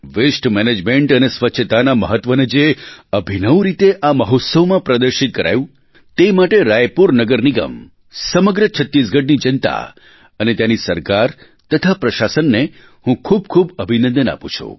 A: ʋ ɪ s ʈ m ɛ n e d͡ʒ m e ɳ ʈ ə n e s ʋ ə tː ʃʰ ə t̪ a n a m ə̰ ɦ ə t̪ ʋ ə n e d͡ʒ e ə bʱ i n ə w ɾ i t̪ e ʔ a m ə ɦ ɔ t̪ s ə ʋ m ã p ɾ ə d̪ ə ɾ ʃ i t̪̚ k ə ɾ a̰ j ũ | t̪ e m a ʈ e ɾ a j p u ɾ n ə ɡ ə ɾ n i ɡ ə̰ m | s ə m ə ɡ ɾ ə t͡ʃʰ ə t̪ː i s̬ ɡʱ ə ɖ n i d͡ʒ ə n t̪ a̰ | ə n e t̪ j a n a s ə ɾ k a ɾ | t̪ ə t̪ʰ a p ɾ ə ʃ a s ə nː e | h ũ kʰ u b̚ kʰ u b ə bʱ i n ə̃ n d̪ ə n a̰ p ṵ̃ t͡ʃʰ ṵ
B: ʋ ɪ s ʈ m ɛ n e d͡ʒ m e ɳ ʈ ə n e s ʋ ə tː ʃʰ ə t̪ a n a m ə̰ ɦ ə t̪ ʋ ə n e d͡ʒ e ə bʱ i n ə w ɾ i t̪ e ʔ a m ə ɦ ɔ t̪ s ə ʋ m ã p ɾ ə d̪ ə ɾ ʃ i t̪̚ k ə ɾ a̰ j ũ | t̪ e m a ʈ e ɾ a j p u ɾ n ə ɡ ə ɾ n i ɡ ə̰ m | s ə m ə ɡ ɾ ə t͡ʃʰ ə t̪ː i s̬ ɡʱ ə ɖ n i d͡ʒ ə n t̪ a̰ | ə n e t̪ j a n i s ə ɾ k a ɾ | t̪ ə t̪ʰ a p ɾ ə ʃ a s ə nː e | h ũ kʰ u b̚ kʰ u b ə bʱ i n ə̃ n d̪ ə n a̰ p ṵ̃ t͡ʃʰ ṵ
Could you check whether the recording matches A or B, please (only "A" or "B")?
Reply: B